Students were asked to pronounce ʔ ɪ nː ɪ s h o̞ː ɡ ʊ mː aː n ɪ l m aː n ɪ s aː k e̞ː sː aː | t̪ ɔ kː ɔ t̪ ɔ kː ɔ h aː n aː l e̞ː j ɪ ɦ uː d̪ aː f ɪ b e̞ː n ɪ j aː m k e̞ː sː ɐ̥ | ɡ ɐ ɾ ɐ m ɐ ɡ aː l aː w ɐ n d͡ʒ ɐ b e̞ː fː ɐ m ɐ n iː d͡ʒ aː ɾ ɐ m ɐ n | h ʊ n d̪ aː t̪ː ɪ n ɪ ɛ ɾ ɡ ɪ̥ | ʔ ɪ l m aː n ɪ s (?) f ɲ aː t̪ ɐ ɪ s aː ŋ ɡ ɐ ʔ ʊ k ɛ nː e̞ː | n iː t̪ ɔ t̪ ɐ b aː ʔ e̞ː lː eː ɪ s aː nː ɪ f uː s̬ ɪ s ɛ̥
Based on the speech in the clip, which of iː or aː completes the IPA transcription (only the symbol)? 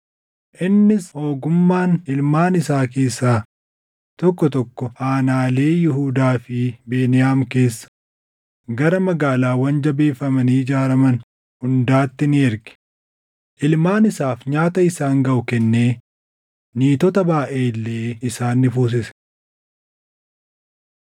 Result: aː